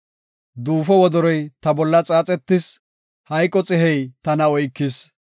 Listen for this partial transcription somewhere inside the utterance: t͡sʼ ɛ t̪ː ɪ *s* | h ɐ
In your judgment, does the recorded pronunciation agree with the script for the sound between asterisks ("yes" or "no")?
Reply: yes